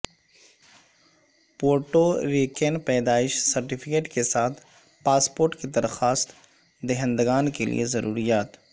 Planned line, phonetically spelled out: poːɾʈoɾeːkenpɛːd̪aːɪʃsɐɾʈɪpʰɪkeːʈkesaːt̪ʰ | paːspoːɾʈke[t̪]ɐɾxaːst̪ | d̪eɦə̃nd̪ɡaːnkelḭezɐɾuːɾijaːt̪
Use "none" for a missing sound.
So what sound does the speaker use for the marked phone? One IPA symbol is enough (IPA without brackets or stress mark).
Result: d̪